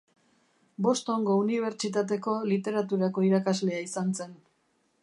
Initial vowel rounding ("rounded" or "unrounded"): rounded